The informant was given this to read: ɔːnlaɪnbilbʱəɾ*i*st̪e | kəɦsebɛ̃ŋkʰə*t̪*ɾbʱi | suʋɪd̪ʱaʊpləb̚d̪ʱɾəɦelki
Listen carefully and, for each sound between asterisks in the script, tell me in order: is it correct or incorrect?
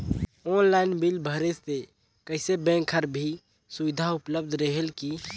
incorrect, incorrect

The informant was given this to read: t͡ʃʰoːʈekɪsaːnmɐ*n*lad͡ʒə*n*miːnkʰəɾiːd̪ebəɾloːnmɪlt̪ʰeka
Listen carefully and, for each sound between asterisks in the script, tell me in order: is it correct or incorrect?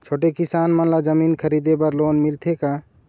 correct, incorrect

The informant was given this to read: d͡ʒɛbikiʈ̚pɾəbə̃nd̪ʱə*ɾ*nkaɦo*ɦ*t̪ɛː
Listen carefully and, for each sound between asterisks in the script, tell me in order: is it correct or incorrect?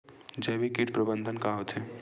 incorrect, incorrect

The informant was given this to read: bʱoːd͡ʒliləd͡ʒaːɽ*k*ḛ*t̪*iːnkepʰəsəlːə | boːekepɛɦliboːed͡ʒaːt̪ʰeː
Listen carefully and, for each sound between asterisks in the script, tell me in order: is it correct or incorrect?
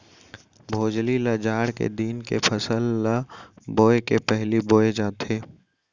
correct, incorrect

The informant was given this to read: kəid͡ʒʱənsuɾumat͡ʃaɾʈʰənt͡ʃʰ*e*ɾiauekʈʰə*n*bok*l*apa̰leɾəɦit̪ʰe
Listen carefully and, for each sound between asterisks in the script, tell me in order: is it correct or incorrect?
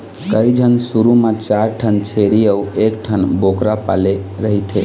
correct, correct, incorrect

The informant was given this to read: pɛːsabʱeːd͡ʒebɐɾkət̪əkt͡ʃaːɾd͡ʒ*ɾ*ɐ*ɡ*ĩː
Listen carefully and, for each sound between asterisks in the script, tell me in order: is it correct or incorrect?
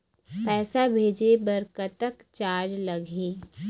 incorrect, correct

